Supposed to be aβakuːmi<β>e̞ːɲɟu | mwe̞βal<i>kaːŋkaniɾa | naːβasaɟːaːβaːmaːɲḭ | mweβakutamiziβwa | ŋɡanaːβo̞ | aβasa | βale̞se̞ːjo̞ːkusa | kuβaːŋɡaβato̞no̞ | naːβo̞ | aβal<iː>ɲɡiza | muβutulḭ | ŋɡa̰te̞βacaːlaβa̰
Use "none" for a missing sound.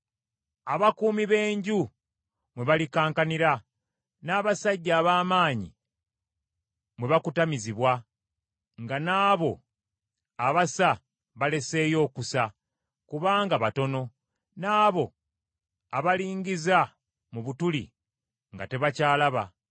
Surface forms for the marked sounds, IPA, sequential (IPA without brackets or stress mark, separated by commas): β, i, iː